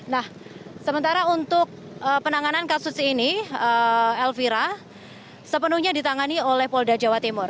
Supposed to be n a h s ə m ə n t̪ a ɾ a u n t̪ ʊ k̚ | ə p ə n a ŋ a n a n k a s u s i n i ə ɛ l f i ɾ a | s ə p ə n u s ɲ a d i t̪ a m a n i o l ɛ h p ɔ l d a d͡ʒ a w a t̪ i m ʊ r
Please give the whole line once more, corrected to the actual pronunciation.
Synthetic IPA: n a h s ə m ə n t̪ a ɾ a u n t̪ ʊ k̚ | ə p ə n a ŋ a n a n k a s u s i n i ə ɛ l f i ɾ a | s ə p ə n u h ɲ a d i t̪ a ŋ a n i o l ɛ h p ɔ l d a d͡ʒ a w a t̪ i m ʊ r